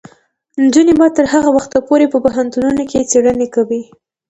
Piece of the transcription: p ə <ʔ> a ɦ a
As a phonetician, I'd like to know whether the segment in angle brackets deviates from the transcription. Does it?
yes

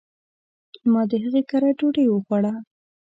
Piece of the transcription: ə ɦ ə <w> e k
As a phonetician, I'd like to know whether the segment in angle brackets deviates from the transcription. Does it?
yes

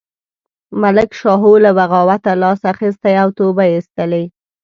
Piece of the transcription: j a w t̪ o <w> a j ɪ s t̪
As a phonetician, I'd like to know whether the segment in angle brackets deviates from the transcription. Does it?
yes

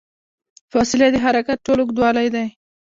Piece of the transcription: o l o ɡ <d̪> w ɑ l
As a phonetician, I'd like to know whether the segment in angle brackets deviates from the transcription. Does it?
no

